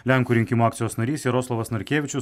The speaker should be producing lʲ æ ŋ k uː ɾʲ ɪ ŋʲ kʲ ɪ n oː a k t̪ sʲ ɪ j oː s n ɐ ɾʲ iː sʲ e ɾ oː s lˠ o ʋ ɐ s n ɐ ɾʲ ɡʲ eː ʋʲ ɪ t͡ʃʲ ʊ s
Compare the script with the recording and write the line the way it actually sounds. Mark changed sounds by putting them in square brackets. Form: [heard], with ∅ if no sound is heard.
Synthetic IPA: lʲ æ ŋ k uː ɾʲ ɪ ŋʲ kʲ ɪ [m] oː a k t̪ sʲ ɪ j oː s n ɐ ɾʲ iː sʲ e ɾ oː s lˠ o ʋ ɐ s n ɐ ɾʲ [kʲ] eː ʋʲ ɪ t͡ʃʲ ʊ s